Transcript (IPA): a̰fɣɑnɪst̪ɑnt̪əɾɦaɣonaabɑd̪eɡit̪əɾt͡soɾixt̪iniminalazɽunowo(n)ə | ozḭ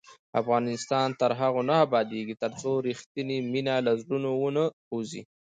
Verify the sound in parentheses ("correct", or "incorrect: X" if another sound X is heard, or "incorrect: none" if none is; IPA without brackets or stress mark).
correct